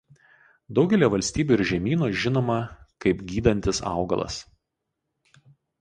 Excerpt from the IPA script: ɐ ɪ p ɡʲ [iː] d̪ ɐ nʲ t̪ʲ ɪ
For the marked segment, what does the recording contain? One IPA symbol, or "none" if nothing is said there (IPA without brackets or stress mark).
iː